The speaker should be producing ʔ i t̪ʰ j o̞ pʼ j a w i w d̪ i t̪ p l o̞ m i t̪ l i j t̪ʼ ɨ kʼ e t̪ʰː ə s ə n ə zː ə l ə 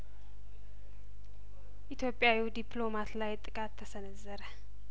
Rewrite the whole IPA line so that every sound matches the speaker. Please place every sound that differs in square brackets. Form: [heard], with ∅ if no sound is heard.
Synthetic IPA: ʔ i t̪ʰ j o̞ pʼ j a w i w d̪ i [∅] p l o̞ m [a] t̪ l [a] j t̪ʼ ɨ kʼ [a] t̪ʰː ə s ə n ə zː ə [ɾ] ə